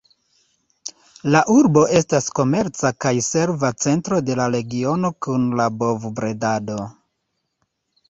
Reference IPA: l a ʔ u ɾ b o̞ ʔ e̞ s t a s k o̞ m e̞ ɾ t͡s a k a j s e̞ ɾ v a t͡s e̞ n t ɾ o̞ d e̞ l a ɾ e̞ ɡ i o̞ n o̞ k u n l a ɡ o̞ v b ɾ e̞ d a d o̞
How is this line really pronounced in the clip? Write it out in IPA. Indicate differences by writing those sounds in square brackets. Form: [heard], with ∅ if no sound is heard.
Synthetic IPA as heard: l a ʔ u ɾ b o̞ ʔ e̞ s t a s k o̞ m e̞ ɾ t͡s a k a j s e̞ ɾ v a t͡s e̞ n t ɾ o̞ d e̞ l a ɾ e̞ ɡ i o̞ n o̞ k u n l a [b] o̞ v b ɾ e̞ d a d o̞